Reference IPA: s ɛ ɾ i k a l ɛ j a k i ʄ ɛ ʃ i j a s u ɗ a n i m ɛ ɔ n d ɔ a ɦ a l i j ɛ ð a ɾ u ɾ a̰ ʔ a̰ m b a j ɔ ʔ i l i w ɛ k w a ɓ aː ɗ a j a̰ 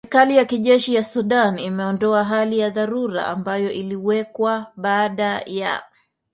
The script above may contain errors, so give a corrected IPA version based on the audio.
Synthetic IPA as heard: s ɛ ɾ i k a l i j a k i ʄ ɛ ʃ i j a s u ɗ a n i m ɛ ɔ n d ɔ a ɦ a l i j a ð a ɾ u ɾ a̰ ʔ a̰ m b a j ɔ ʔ i l i w ɛ k w a ɓ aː ɗ a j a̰